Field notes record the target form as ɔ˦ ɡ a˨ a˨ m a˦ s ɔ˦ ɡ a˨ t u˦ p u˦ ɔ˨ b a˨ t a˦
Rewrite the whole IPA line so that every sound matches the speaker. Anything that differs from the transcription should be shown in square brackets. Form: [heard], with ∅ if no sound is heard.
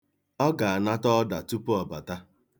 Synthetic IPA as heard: ɔ˦ ɡ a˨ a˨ [n] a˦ [t] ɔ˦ [d] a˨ t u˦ p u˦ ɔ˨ b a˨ t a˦